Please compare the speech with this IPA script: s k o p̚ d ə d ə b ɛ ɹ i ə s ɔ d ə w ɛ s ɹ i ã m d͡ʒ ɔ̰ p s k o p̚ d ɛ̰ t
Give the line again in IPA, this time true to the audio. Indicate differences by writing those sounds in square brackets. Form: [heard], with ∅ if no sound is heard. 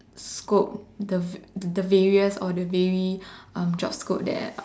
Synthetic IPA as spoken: s k o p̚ d ə d ə [v] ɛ ɹ i ə s ɔ d ə [v] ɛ [∅] ɹ i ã m d͡ʒ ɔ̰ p s k o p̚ d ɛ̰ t